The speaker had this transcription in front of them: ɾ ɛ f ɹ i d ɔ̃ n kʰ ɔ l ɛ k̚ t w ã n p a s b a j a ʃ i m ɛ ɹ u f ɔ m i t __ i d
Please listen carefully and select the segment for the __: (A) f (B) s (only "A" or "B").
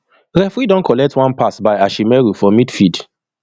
A